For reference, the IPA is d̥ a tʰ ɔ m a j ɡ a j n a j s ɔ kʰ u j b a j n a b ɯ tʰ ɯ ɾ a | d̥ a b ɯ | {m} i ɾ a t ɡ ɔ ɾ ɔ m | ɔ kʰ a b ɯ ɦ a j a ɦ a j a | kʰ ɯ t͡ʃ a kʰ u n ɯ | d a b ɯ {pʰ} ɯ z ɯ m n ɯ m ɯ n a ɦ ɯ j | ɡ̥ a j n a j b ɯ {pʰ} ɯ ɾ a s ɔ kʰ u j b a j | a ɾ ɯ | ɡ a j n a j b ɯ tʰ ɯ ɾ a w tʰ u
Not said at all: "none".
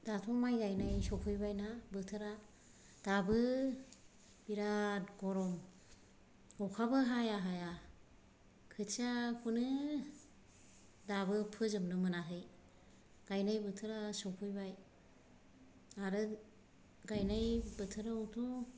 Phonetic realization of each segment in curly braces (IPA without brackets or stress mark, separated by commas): b, pʰ, tʰ